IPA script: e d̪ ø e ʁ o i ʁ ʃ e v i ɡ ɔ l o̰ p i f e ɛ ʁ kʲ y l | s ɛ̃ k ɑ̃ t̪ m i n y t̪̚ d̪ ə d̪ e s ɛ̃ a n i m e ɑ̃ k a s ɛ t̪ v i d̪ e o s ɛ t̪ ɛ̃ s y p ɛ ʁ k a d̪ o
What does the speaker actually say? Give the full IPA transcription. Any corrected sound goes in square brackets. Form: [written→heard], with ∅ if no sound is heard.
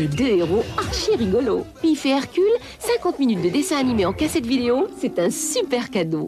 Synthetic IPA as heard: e d̪ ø e ʁ o [i→a] ʁ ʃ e [v→ʁ] i ɡ ɔ l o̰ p i f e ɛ ʁ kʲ y l | s ɛ̃ k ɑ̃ t̪ m i n y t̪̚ d̪ ə d̪ e s ɛ̃ a n i m e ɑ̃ k a s ɛ t̪ v i d̪ e o s ɛ t̪ ɛ̃ s y p ɛ ʁ k a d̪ o